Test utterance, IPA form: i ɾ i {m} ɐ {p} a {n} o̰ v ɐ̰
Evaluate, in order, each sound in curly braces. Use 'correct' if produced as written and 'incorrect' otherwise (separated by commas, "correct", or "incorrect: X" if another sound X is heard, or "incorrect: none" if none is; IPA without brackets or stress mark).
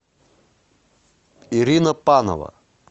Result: incorrect: n, correct, correct